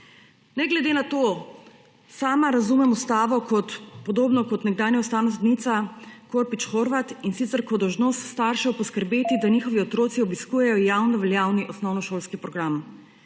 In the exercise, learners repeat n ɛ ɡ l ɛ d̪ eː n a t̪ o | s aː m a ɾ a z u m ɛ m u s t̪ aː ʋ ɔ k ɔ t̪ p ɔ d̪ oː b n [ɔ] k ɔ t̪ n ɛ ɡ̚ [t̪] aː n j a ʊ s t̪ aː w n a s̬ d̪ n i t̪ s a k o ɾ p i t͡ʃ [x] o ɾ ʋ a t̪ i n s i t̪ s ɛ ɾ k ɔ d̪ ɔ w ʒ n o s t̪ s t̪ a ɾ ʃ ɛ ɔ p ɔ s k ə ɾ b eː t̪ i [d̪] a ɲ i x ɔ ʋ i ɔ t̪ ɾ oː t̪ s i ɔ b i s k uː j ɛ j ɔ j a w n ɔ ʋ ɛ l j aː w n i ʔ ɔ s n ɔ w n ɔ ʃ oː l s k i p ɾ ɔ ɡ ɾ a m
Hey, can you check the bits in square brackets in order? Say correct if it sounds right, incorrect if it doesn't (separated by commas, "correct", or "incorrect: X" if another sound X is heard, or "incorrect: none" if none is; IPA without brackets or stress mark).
correct, incorrect: d̪, correct, correct